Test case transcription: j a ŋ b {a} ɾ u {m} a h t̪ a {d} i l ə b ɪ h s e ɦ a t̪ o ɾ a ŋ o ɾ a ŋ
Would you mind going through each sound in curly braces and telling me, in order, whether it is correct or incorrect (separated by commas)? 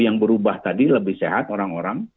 incorrect, incorrect, correct